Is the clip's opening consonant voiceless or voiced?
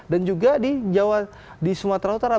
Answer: voiced